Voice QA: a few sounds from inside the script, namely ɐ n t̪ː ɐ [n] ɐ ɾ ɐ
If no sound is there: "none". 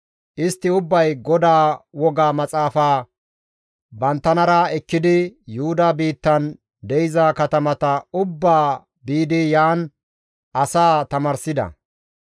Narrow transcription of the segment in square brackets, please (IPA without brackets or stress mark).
n